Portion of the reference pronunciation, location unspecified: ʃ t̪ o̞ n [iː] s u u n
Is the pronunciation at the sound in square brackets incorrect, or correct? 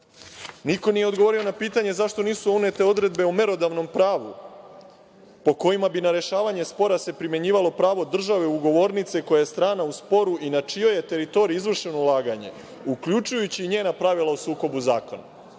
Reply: correct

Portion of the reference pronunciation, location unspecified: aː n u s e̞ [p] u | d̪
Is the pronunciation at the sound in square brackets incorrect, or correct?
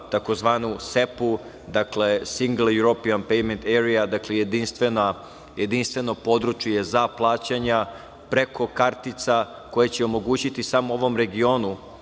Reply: correct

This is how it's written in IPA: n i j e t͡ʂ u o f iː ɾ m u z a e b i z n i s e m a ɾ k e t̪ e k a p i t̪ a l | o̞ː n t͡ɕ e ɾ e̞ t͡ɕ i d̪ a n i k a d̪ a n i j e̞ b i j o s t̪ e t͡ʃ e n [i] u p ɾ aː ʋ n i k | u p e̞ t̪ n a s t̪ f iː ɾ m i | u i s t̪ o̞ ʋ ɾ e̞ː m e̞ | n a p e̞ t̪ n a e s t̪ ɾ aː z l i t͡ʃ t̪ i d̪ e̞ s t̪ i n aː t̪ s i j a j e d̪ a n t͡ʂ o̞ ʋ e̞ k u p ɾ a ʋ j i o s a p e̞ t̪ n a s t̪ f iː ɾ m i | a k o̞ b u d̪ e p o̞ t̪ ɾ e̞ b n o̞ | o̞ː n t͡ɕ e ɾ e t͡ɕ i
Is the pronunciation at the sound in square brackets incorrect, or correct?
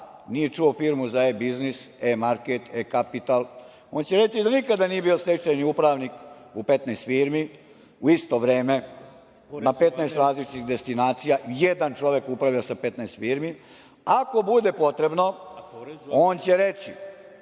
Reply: correct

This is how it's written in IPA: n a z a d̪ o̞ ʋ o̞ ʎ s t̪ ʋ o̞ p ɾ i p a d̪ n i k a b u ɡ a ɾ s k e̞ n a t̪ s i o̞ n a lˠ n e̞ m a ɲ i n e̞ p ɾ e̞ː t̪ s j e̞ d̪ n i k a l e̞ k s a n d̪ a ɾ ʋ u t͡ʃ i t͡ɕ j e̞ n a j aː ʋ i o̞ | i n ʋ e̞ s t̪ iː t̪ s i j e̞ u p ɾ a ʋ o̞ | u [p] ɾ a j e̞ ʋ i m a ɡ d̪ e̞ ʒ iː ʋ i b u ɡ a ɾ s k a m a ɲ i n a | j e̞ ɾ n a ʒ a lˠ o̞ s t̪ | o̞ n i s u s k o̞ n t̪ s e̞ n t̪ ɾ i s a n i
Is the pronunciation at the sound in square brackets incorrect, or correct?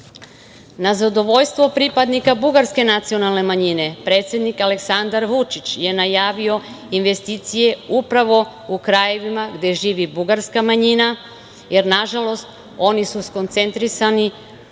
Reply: incorrect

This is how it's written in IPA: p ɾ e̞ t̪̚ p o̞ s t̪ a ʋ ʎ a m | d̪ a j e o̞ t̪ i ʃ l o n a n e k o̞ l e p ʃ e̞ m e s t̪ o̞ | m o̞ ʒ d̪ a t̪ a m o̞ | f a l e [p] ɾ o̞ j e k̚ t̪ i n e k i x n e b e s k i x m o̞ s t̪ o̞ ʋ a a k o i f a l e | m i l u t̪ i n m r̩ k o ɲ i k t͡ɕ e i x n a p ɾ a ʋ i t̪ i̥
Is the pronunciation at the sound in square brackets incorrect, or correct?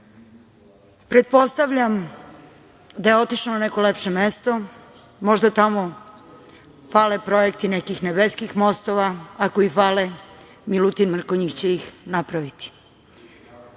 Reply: correct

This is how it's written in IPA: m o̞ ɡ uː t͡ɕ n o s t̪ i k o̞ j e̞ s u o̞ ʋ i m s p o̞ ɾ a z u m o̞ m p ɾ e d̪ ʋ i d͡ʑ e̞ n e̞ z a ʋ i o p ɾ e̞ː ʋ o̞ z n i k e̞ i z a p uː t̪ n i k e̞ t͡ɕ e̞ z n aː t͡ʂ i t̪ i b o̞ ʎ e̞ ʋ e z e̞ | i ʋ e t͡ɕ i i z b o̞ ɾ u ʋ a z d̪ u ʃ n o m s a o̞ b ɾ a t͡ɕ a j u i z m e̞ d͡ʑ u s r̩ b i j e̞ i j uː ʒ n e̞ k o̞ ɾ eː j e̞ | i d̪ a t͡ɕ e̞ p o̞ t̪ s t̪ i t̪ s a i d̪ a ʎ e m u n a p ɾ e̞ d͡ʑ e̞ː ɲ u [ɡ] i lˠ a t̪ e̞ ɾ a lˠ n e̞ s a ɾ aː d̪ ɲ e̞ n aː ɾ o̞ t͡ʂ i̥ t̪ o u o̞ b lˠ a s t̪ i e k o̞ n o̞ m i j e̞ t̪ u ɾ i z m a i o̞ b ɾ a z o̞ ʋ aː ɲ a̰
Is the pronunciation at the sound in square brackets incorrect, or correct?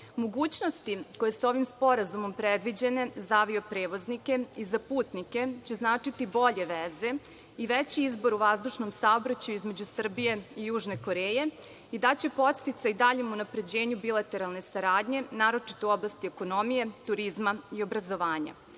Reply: incorrect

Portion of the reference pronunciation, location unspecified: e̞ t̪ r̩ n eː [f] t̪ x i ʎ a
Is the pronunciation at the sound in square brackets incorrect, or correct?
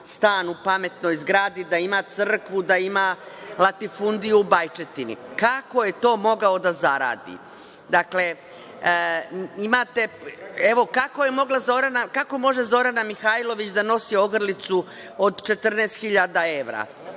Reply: incorrect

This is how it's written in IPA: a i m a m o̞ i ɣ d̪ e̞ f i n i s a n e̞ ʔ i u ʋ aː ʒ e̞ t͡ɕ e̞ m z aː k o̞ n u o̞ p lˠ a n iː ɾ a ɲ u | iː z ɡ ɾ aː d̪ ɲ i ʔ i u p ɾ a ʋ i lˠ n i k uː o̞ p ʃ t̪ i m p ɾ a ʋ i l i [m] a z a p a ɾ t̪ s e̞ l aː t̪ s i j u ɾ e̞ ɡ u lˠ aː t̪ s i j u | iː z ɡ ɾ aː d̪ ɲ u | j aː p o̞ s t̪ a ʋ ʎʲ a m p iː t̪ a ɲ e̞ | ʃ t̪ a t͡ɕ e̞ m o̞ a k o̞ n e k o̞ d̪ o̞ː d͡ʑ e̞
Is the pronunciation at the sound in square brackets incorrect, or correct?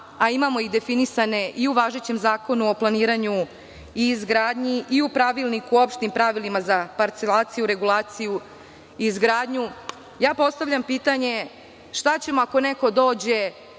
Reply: correct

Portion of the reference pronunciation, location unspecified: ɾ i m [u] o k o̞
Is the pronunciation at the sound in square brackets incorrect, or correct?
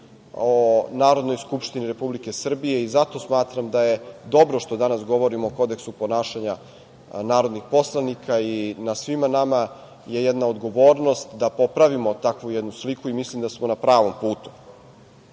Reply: incorrect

